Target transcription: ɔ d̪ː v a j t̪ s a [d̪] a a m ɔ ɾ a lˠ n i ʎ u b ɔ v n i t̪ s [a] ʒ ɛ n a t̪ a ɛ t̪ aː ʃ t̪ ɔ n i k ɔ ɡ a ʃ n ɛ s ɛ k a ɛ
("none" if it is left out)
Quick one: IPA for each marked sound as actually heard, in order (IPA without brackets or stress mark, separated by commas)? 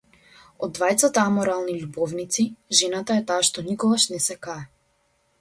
t̪, i